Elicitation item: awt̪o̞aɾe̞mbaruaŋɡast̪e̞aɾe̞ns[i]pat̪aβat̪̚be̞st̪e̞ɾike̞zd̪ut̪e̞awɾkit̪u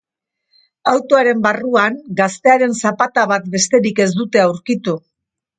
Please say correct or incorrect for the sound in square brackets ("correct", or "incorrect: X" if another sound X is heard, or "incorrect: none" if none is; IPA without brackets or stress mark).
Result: incorrect: a